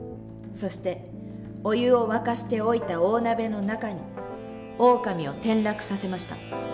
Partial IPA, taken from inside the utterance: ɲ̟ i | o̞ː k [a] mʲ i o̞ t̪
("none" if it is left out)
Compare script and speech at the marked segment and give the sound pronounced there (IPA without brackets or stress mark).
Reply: a